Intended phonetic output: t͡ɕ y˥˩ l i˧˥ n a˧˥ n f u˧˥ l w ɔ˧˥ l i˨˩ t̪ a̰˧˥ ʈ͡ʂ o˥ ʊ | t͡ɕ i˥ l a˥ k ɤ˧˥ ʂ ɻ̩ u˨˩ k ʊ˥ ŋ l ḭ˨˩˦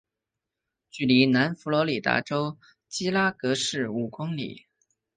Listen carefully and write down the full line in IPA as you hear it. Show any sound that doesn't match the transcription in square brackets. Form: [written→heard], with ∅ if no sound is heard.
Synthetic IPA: t͡ɕ y˥˩ l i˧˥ n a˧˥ n f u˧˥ l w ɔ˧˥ l i˨˩ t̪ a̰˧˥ ʈ͡ʂ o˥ ʊ | t͡ɕ i˥ l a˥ k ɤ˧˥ ʂ ɻ̩ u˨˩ k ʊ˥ ŋ l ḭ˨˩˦